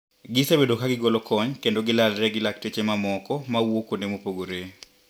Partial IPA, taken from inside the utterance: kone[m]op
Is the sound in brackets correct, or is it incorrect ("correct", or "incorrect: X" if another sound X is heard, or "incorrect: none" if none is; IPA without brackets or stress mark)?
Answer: correct